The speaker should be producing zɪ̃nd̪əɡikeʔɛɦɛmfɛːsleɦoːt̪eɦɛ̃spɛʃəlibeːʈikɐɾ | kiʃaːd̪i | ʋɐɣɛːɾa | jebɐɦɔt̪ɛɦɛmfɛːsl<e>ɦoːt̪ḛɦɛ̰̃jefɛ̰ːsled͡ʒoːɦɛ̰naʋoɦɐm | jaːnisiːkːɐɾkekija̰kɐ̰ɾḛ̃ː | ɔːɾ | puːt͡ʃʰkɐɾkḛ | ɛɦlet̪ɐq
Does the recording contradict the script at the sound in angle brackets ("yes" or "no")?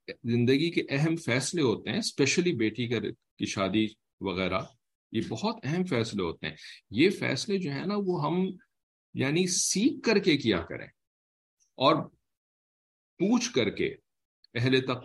no